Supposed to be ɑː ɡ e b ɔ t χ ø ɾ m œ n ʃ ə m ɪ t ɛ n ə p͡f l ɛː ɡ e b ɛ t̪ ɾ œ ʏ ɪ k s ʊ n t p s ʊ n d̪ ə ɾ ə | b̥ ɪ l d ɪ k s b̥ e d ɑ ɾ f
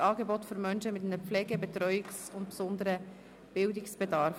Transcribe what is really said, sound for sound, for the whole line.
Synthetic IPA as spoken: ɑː ɡ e b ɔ t f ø ɾ m œ n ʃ ə m ɪ t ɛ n ə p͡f l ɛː ɡ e b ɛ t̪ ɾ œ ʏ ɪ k s ʊ n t p s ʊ n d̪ ə ɾ ə | b̥ ɪ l d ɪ k s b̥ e d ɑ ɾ f